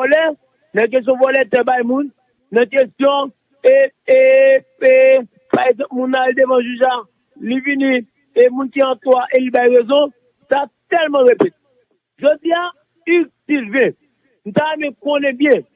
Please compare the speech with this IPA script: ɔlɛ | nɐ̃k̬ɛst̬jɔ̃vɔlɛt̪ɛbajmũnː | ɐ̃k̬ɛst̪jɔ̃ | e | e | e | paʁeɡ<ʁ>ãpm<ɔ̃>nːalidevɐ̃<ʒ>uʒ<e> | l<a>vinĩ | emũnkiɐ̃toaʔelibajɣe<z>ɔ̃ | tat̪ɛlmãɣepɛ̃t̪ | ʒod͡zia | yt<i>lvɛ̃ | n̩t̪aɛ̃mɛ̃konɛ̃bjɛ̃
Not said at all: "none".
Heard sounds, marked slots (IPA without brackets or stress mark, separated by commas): z, ũ, ʒ, a, i, z, i